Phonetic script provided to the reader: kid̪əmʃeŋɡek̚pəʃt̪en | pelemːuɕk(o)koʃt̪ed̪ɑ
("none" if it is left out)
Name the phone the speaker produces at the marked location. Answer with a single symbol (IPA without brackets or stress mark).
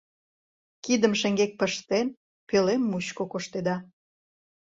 o